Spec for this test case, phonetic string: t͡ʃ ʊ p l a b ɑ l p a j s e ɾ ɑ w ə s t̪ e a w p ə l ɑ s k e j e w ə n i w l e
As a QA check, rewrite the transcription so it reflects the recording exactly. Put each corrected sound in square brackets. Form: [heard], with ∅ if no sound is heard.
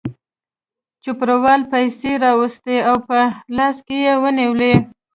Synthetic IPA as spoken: t͡ʃ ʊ p [ɾ] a [w] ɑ l p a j s e ɾ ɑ w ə s t̪ e a w p ə l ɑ s k e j e w ə n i w l e